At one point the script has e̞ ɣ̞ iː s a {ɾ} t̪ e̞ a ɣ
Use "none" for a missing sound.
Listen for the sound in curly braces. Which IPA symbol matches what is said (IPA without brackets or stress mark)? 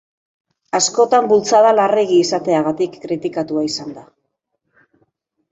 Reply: none